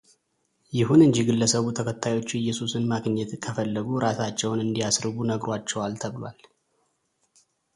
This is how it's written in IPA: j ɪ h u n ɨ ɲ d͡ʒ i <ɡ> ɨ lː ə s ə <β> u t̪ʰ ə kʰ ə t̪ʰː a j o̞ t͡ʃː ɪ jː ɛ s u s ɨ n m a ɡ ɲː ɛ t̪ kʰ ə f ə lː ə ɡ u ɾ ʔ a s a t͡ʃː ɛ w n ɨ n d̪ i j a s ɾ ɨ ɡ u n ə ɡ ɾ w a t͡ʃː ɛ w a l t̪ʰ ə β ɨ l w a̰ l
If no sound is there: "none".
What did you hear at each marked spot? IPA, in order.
ɡ, β

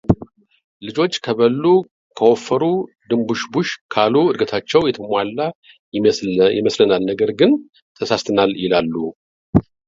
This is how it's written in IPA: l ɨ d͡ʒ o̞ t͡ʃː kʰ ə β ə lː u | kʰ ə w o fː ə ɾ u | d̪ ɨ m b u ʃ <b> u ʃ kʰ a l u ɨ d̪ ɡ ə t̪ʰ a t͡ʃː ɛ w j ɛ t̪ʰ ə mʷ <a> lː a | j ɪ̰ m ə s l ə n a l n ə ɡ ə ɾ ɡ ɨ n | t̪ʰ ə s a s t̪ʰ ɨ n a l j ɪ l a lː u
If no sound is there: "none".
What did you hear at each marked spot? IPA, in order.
b, a

